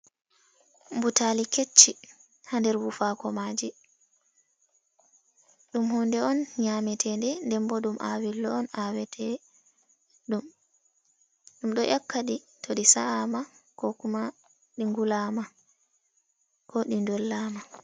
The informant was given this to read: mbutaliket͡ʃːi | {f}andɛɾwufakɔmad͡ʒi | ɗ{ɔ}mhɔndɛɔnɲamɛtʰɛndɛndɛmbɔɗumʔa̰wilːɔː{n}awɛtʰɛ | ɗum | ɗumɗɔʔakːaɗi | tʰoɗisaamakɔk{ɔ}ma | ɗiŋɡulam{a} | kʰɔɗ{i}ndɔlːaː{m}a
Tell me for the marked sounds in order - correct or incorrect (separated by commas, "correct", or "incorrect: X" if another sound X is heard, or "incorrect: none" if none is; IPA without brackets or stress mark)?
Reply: incorrect: h, incorrect: u, correct, incorrect: u, correct, correct, correct